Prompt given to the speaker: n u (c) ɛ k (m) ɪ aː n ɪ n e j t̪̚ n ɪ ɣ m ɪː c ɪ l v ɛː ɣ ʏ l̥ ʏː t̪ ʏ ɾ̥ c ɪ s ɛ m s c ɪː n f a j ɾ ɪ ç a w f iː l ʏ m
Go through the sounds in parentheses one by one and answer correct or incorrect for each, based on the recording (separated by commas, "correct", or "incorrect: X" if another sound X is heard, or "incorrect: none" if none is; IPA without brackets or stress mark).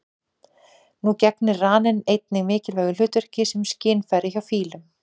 correct, incorrect: n